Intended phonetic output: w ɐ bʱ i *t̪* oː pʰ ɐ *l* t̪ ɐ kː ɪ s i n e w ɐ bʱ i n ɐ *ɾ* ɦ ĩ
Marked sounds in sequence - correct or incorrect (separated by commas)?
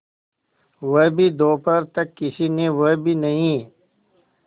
incorrect, incorrect, incorrect